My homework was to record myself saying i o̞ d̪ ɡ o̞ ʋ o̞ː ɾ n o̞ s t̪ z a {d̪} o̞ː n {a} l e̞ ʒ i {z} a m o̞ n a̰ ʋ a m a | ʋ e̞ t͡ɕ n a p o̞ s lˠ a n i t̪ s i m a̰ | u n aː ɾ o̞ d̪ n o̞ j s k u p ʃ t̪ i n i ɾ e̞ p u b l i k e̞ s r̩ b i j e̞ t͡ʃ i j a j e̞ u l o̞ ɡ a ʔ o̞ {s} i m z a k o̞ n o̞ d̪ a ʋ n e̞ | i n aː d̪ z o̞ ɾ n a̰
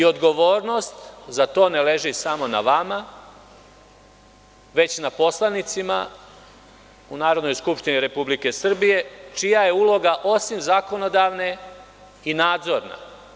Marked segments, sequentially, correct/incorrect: incorrect, incorrect, incorrect, correct

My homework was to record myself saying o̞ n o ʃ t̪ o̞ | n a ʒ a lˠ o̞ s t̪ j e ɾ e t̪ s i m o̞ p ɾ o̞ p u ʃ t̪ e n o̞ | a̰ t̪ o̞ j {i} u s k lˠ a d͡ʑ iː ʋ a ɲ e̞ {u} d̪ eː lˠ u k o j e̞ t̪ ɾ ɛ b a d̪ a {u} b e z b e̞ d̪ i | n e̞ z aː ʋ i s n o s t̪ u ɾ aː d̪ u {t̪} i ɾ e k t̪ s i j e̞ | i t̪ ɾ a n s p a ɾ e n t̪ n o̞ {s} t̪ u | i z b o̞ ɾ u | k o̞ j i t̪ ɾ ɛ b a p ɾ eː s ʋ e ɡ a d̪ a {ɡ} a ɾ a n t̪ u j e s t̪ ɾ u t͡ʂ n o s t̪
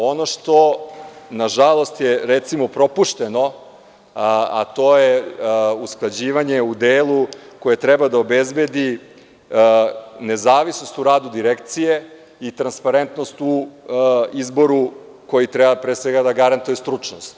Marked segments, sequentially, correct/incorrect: incorrect, correct, incorrect, incorrect, correct, correct

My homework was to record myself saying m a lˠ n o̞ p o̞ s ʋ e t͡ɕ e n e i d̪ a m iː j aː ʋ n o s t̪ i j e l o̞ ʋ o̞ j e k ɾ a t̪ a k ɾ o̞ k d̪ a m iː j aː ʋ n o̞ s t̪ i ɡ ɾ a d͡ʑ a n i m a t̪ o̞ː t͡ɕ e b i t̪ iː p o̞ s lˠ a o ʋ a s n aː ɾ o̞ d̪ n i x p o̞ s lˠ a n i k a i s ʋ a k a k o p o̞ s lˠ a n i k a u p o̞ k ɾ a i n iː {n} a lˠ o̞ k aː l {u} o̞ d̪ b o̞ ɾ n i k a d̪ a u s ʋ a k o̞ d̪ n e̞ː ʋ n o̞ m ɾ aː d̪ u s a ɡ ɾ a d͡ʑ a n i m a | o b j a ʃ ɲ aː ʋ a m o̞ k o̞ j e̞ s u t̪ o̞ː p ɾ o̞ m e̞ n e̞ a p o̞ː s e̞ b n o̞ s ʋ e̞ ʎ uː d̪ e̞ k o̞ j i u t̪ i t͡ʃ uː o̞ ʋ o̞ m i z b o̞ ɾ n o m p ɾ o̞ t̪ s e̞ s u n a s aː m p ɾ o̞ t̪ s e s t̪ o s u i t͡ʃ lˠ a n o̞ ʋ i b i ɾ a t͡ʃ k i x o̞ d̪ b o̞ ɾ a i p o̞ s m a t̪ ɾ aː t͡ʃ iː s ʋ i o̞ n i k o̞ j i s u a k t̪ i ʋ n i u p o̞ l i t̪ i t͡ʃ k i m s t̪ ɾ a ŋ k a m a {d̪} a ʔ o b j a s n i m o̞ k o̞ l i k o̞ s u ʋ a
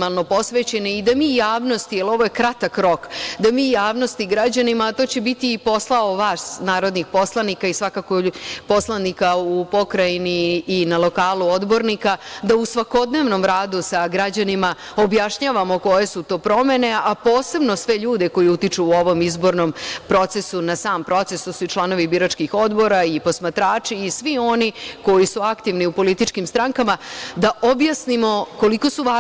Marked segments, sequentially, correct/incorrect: correct, correct, correct

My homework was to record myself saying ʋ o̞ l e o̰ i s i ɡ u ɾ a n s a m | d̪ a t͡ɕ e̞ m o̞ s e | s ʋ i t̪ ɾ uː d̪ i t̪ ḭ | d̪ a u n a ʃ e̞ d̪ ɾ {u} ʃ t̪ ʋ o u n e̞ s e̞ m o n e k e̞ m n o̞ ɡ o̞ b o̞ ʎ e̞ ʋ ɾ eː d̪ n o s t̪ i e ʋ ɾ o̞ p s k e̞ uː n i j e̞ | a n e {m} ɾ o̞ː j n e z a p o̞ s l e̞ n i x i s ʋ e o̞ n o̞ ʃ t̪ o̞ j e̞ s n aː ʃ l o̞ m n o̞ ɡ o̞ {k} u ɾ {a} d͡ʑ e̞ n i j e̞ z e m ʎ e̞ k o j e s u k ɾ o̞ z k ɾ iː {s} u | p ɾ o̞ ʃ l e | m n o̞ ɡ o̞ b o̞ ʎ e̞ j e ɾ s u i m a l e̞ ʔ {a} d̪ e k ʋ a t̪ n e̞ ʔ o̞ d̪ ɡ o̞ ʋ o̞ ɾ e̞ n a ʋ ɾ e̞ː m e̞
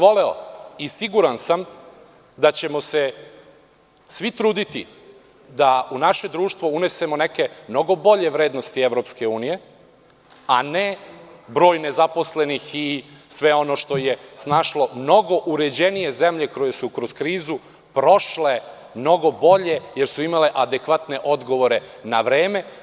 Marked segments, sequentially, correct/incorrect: incorrect, incorrect, incorrect, incorrect, incorrect, correct

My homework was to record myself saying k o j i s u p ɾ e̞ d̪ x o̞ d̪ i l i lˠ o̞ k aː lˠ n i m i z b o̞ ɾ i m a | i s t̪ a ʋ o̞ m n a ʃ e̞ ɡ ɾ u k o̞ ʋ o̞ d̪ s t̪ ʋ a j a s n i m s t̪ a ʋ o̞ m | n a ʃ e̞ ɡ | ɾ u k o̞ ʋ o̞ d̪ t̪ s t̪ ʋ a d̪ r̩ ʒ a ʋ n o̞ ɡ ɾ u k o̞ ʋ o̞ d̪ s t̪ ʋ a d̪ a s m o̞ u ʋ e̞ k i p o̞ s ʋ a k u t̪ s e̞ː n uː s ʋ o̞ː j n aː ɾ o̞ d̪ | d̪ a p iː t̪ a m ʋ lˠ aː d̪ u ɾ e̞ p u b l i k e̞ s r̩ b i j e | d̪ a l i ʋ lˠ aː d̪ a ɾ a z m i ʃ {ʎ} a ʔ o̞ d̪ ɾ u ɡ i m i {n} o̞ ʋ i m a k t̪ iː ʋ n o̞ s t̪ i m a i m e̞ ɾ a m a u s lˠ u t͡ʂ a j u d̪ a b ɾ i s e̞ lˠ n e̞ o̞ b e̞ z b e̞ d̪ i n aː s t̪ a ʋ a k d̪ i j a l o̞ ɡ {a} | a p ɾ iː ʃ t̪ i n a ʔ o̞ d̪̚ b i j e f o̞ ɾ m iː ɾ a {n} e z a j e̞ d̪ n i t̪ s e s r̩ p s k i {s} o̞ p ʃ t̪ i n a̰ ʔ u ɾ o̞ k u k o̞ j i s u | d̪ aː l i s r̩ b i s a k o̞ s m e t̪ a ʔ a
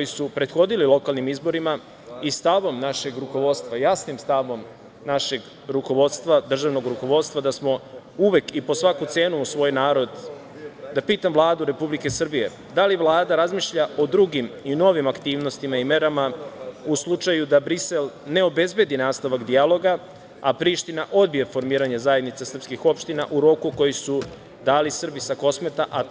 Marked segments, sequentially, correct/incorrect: correct, correct, correct, incorrect, incorrect

